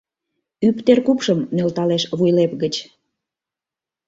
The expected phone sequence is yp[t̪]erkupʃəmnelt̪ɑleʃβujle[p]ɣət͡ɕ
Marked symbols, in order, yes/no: yes, yes

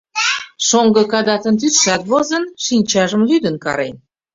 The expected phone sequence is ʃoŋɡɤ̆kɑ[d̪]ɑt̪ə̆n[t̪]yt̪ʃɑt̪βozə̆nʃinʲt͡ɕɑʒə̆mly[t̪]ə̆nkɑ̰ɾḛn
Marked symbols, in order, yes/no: yes, yes, no

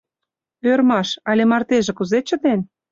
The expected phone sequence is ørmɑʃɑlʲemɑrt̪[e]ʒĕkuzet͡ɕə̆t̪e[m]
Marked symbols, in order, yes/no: yes, no

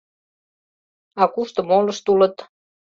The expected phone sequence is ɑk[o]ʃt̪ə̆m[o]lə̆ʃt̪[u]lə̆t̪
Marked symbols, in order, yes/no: no, yes, yes

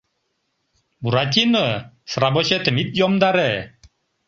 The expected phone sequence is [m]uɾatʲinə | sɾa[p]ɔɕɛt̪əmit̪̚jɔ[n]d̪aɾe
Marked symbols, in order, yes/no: no, no, no

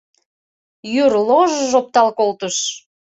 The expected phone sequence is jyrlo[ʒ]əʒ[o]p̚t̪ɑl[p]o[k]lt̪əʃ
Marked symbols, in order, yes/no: yes, yes, no, no

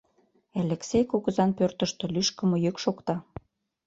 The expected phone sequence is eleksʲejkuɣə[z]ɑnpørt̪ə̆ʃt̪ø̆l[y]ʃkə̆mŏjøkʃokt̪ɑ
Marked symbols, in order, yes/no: yes, yes

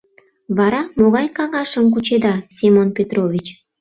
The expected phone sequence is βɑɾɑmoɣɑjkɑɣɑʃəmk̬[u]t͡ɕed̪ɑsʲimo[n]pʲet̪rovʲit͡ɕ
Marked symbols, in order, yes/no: yes, yes

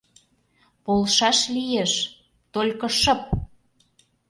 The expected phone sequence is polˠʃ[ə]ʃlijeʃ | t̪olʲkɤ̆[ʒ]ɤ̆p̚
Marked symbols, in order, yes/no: no, no

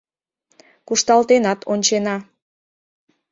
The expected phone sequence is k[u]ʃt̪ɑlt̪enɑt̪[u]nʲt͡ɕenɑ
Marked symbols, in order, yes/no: yes, no

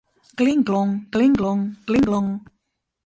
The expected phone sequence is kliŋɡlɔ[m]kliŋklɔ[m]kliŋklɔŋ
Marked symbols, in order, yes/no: no, no

